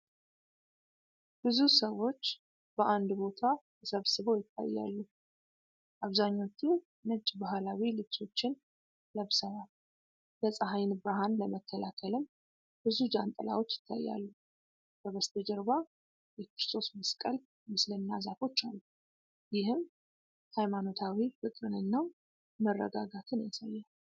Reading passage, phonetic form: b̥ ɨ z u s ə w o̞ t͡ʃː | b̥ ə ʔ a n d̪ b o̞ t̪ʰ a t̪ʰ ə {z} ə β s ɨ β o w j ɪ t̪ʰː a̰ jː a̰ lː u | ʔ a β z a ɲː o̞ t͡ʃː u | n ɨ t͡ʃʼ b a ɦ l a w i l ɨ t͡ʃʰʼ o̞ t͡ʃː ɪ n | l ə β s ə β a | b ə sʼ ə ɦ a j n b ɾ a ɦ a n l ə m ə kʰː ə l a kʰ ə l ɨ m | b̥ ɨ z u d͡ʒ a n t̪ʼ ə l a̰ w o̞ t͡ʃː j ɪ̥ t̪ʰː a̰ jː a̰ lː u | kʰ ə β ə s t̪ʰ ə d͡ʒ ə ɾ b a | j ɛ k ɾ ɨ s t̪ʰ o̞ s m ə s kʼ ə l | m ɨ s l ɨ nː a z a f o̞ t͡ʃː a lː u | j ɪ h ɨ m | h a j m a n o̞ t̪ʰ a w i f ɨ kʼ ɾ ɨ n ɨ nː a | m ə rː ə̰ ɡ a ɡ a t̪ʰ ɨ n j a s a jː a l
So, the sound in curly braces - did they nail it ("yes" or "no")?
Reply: no